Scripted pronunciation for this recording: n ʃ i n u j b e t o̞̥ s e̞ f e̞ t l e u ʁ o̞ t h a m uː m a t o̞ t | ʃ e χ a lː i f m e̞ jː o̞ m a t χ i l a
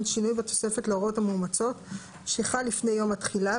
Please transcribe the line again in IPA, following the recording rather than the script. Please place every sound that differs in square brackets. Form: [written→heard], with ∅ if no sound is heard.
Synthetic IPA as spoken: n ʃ i n u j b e t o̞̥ s e̞ f e̞ t l e [u→o] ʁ o̞ t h a m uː m a [t→t͡s] o̞ t | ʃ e χ a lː i f [m→n] e̞ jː o̞ m a t χ i l a